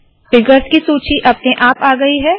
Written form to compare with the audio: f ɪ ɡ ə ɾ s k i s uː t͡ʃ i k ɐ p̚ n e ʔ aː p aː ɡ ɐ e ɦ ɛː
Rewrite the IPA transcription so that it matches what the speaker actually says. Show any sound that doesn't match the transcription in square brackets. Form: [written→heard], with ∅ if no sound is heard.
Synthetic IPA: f ɪ ɡ ə ɾ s k i s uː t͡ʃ i [k→ʔ] ɐ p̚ n e ʔ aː p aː ɡ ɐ [e→i] ɦ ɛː

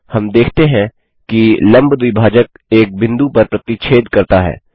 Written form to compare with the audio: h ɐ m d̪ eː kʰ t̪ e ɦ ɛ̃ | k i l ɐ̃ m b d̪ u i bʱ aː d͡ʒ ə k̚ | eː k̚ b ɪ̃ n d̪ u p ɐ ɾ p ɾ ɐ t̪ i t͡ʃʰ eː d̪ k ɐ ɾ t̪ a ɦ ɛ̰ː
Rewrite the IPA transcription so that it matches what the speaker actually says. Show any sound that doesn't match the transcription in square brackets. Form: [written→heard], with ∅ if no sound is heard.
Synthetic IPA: h ɐ m d̪ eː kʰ t̪ e ɦ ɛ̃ | k i l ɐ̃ m b d̪ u i bʱ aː d͡ʒ ə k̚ | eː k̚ b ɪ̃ n d̪ u p ɐ ɾ p ɾ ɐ t̪ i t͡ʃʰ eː d̪ k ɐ ɾ t̪ a ɦ ɛ̰ː

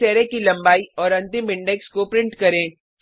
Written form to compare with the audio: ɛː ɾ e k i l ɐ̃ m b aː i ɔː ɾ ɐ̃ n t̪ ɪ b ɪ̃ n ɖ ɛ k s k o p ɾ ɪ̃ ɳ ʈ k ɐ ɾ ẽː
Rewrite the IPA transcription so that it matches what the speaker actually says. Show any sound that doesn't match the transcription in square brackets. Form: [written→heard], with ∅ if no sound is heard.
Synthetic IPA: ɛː ɾ e k i l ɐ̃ m b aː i ɔː ɾ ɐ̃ n t̪ ɪ [b→m] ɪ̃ [n→ɳ] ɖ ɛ k s k o p ɾ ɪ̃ ɳ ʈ k ɐ ɾ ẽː

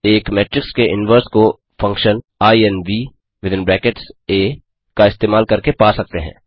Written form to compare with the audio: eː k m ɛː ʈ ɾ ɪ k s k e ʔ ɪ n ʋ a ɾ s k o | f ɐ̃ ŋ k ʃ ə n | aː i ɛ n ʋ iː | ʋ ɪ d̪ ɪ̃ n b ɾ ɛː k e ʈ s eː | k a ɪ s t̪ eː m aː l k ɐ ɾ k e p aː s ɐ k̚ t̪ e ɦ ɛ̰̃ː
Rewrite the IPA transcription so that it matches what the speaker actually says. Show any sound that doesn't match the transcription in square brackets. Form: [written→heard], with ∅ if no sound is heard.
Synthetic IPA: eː k m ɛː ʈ ɾ ɪ k s k e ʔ ɪ n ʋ [a→ə] ɾ s k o | f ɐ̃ ŋ k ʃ ə n | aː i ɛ n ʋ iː | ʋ ɪ d̪ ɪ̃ n b ɾ ɛː k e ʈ s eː | k a ɪ s t̪ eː m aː l k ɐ ɾ k e p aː s ɐ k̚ t̪ e ɦ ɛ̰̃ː

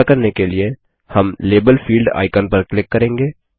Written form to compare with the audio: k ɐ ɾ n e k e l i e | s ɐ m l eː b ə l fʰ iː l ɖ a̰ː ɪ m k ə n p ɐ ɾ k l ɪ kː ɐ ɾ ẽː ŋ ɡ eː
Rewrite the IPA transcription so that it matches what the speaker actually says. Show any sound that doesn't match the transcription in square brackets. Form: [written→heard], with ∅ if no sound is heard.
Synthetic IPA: k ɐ ɾ n e k e l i e | [s→h] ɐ m l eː b ə l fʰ iː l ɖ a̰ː ɪ [m→∅] k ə n p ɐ ɾ k l ɪ kː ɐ ɾ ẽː ŋ ɡ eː

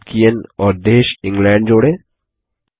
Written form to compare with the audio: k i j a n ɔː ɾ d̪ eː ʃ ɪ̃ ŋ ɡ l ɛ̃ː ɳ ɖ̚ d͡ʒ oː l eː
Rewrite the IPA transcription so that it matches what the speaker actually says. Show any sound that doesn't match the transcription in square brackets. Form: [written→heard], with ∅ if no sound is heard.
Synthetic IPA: k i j [a→ə] n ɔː ɾ d̪ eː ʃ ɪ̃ ŋ ɡ l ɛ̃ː ɳ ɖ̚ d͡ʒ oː [l→ɽ] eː

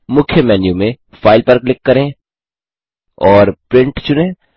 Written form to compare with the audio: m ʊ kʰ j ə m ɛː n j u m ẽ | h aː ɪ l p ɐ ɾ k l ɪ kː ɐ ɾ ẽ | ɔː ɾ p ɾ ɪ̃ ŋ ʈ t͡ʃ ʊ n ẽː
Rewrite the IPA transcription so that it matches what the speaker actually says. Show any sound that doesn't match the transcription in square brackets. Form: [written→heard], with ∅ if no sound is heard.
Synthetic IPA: m ʊ kʰ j ə m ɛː n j u m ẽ | [h→f] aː ɪ l p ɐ ɾ k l ɪ kː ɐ ɾ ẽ | ɔː ɾ p ɾ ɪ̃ [ŋ→ɳ] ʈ t͡ʃ ʊ n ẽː

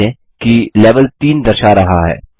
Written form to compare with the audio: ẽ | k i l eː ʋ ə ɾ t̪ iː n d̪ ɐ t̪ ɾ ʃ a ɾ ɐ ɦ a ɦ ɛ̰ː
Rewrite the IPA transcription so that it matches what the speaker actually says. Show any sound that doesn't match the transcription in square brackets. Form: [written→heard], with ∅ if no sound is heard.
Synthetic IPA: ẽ | k i l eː ʋ ə [ɾ→l] t̪ iː n d̪ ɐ [t̪→∅] ɾ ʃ a ɾ ɐ ɦ a ɦ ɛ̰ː

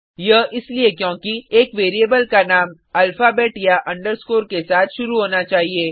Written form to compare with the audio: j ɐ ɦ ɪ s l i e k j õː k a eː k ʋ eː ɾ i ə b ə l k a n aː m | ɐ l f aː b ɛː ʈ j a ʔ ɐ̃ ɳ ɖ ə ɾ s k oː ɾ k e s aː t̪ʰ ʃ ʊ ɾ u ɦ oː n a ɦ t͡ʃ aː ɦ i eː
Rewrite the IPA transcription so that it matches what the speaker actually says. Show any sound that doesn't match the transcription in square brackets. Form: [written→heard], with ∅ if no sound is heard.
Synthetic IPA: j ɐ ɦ ɪ s l i e k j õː k [a→i] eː k ʋ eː ɾ i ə b ə l k a n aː m | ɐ l f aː b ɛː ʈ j a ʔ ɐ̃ ɳ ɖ ə ɾ s k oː ɾ k e s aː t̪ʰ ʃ ʊ ɾ u ɦ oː n a [ɦ→∅] t͡ʃ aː ɦ i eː

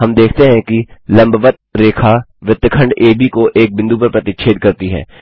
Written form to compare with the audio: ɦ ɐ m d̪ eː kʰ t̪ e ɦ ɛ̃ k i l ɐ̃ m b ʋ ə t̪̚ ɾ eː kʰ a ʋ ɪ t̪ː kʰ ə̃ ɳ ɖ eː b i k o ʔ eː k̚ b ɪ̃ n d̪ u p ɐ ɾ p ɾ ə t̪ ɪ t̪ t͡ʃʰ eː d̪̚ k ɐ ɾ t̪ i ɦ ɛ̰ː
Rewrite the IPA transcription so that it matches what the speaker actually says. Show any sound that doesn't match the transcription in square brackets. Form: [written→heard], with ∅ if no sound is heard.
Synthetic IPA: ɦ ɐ m d̪ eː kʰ t̪ e ɦ ɛ̃ k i l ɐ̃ m b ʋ ə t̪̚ ɾ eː kʰ a ʋ ɪ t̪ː kʰ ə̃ ɳ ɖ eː b i k o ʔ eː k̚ b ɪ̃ n d̪ u p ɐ ɾ p ɾ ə t̪ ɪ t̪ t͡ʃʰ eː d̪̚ k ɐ ɾ t̪ i ɦ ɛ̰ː

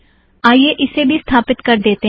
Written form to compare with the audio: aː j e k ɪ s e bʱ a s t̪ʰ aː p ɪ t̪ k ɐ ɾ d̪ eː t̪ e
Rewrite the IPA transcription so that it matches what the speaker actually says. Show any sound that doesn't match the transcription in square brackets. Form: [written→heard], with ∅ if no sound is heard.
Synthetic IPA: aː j e [k→ʔ] ɪ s e bʱ [a→i] s t̪ʰ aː p ɪ t̪ k ɐ ɾ d̪ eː t̪ e

